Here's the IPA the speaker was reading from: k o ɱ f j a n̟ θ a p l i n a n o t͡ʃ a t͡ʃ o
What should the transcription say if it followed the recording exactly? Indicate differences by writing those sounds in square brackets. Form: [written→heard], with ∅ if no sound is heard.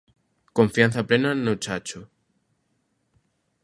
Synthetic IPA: k o ɱ f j a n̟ θ a p l [i→e] n a n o t͡ʃ a t͡ʃ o

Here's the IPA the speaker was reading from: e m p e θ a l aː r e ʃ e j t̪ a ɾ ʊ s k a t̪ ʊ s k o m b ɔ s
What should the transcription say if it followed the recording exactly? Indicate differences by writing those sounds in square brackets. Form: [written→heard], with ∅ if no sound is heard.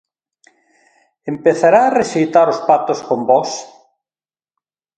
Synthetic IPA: e m p e θ a [l→ɾ] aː r e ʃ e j t̪ a ɾ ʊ s [k→p] a t̪ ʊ s k o m b ɔ s

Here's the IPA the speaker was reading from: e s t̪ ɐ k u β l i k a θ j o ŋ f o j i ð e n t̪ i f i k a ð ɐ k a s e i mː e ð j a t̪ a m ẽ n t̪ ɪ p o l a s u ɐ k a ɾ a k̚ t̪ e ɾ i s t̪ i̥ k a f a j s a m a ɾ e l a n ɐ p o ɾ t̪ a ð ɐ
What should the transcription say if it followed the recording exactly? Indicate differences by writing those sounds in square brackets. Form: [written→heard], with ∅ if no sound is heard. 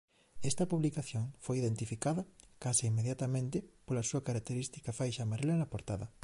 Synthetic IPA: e s t̪ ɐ [k→p] u β l i k a θ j o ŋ f o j i ð e n t̪ i f i k a ð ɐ k a s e i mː e ð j a t̪ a m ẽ n t̪ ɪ p o l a s u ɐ k a ɾ a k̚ t̪ e ɾ i s t̪ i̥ k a f a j [s→ʃ] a m a ɾ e l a n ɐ p o ɾ t̪ a ð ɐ

